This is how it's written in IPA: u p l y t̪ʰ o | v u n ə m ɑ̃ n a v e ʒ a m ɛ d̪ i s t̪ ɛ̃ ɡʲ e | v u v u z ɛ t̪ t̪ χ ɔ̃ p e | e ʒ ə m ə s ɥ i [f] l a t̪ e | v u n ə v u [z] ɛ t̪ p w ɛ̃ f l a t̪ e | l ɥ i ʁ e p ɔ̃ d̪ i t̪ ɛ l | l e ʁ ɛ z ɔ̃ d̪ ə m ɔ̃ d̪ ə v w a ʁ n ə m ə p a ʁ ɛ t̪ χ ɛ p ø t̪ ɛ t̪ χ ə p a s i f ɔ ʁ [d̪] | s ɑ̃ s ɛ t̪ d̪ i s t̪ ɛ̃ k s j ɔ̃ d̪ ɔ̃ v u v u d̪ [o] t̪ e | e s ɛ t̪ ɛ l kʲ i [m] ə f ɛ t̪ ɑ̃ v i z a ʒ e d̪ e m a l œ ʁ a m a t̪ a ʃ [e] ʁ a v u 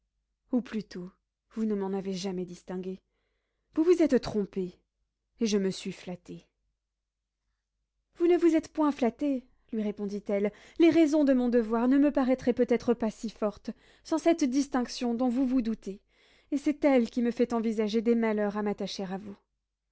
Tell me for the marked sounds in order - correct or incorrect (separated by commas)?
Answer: correct, correct, incorrect, incorrect, correct, correct